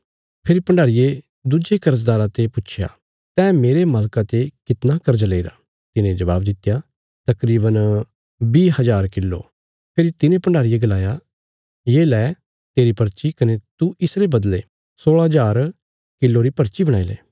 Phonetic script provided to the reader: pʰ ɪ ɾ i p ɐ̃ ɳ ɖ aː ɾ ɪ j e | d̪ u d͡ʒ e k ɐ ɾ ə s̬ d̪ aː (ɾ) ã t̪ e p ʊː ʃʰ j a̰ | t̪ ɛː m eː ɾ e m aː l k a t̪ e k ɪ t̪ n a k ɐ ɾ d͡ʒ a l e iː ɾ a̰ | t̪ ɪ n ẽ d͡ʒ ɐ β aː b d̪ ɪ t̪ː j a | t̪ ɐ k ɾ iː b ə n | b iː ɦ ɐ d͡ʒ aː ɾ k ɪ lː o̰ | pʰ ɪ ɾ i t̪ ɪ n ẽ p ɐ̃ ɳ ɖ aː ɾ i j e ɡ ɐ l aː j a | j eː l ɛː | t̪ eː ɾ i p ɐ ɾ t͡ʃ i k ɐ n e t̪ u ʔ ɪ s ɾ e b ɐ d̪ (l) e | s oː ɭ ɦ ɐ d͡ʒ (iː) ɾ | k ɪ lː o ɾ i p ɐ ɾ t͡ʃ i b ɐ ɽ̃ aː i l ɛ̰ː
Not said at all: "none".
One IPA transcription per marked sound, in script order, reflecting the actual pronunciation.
ɾ, l, aː

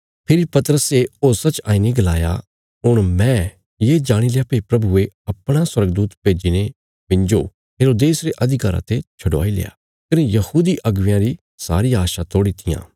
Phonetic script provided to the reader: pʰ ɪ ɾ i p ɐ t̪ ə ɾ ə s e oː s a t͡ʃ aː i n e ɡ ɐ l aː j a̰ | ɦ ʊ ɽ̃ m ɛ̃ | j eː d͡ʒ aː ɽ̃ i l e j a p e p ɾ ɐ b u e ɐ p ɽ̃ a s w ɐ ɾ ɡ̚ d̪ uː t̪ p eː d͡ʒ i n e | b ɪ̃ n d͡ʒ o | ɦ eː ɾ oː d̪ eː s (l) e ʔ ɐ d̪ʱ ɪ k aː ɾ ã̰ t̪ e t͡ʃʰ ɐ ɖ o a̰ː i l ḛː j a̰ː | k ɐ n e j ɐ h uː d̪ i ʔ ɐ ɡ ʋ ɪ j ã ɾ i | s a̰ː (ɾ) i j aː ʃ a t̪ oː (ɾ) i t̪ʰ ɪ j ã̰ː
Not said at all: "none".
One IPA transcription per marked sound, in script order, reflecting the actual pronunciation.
ɾ, ɾ, ɽ

